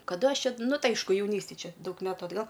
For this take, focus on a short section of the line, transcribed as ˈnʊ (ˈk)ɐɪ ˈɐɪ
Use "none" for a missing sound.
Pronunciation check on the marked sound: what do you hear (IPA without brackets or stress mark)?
t